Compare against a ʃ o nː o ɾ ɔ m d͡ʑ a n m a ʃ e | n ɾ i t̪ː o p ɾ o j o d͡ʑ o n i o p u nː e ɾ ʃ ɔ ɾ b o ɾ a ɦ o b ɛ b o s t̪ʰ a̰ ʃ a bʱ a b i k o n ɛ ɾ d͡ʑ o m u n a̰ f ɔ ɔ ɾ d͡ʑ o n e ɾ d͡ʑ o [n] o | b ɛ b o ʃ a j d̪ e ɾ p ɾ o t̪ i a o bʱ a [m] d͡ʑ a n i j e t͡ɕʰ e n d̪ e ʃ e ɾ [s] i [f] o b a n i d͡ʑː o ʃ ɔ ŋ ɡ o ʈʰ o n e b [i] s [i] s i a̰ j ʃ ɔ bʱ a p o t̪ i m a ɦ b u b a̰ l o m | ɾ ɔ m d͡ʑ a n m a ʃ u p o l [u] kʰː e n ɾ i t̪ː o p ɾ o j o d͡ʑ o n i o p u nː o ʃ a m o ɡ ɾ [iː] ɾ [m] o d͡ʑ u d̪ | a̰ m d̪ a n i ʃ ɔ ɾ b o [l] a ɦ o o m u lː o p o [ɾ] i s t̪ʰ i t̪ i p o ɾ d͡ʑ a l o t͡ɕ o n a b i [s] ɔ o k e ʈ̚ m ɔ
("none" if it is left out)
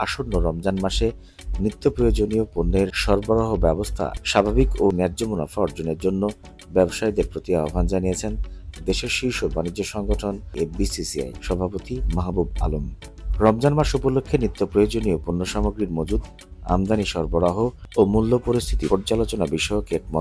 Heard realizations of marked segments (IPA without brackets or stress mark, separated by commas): nː, n, ʃ, ʃ, i, i, o, i, m, ɾ, ɾ, ʃ